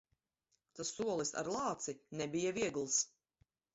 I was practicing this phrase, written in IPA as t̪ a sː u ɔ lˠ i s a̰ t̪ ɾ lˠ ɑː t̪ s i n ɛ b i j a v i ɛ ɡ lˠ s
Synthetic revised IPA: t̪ a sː u ɔ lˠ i s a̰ ɾ lˠ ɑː t̪ s i n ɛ b i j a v i ɛ ɡ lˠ s